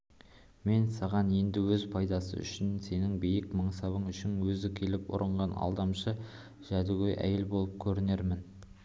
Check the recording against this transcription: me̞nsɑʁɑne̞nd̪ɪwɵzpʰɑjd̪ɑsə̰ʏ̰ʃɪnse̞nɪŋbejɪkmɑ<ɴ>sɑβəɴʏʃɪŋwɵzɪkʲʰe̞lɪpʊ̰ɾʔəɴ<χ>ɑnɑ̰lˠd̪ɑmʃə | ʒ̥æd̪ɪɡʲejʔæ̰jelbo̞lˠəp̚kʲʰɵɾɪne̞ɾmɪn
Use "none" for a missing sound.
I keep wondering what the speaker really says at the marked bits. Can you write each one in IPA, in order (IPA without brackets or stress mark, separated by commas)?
ɴ, ʁ